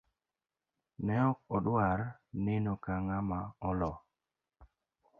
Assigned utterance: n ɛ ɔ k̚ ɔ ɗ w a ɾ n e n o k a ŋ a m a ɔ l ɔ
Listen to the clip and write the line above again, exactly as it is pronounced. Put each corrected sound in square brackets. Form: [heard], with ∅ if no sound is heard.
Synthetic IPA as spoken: n ɛ ɔ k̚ ɔ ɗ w a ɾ n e n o k a ŋ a m a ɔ l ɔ